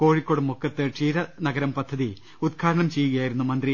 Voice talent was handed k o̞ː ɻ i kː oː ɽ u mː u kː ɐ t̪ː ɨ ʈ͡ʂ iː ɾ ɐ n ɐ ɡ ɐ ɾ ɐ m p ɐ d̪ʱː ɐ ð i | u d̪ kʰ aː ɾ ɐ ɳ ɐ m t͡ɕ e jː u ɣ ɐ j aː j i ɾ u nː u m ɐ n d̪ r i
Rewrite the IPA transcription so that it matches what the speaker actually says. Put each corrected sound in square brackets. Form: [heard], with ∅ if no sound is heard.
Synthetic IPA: k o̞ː ɻ i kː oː ɽ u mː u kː ɐ t̪ː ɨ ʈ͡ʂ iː ɾ ɐ n ɐ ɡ ɐ ɾ ɐ m p ɐ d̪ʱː ɐ ð i | u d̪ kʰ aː ɾ ɐ ɳ ɐ m t͡ɕ e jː u ɣ ɐ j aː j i ɾ u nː u m ɐ n d̪ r i